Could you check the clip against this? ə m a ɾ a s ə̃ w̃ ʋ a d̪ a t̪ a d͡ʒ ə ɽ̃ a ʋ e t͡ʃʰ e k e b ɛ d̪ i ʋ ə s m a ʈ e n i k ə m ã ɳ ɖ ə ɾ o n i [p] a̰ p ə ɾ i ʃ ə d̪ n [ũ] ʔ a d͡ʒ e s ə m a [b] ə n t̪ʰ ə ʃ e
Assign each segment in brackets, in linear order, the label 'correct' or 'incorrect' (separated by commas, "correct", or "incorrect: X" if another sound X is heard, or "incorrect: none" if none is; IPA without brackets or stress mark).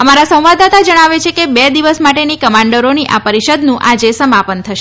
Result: incorrect: ʔ, correct, incorrect: p